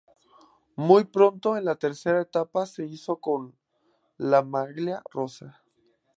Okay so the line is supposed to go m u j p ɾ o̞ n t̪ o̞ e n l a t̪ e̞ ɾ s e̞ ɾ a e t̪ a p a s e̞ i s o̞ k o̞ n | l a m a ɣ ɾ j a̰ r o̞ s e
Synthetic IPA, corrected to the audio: m u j p ɾ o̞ n t̪ o̞ e n l a t̪ e̞ ɾ s e̞ ɾ a e t̪ a p a s e̞ i s o̞ k o̞ n | l a m a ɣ l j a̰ r o̞ s a